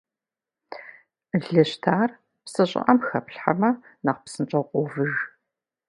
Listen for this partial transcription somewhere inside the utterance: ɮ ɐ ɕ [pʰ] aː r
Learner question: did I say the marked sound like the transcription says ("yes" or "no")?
no